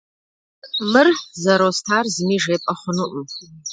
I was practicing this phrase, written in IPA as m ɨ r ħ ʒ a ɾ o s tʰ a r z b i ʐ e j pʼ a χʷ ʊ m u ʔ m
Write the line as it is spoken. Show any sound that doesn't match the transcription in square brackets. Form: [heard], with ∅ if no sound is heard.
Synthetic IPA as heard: m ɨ r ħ [z] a ɾ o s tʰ a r z [m] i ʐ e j pʼ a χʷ ʊ [n] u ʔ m